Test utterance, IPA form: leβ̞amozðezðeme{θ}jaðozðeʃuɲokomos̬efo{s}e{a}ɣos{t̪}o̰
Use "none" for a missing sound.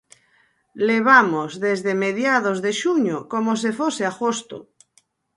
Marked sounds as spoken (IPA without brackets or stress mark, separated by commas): ð, s, a, t̪